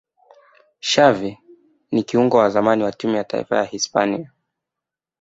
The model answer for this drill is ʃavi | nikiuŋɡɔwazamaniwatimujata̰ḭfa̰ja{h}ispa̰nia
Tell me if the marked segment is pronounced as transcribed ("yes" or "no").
yes